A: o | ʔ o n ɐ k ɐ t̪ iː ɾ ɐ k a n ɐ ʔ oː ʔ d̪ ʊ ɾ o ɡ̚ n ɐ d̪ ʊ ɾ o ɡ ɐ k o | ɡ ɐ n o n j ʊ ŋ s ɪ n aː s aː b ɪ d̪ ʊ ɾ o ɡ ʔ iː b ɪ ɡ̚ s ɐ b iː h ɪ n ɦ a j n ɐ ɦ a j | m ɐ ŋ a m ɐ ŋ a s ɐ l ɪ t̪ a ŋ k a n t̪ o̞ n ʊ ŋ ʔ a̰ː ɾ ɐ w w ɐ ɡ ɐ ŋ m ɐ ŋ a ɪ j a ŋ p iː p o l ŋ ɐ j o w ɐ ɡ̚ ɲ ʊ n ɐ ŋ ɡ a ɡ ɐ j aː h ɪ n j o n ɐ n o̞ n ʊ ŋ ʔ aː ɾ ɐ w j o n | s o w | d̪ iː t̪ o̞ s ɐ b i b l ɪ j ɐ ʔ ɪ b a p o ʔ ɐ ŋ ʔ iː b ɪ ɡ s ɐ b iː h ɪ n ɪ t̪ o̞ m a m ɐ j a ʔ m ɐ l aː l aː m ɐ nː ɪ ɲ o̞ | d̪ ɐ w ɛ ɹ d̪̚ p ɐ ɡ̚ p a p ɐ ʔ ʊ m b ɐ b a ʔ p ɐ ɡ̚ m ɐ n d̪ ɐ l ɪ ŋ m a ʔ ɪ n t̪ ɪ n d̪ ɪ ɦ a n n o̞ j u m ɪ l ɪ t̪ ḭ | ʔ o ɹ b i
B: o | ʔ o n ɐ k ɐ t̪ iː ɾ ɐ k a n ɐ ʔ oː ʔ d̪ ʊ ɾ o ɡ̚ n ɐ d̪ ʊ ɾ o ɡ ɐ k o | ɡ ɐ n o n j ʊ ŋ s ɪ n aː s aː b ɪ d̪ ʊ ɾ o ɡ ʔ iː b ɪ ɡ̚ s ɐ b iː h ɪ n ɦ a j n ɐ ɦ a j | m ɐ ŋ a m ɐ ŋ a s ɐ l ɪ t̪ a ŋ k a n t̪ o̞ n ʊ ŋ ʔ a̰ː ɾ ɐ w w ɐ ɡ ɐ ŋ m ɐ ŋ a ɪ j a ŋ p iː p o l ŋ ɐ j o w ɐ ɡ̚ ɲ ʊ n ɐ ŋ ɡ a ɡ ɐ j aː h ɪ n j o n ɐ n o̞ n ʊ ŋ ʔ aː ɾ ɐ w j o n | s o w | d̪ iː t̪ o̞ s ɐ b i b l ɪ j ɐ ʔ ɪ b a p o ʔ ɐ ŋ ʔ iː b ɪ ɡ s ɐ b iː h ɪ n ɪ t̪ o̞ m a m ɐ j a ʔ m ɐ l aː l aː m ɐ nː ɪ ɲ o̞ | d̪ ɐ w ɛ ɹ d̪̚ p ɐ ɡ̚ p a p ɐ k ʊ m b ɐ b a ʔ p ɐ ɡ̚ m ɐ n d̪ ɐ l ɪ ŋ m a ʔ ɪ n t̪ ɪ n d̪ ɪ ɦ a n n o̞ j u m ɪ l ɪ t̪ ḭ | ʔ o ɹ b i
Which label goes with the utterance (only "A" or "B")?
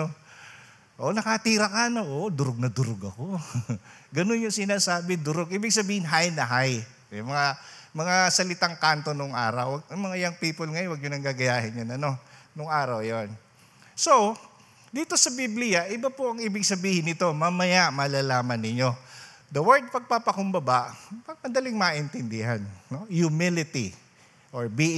B